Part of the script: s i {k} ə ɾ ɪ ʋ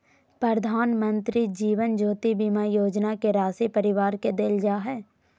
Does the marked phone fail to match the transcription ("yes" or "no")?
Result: yes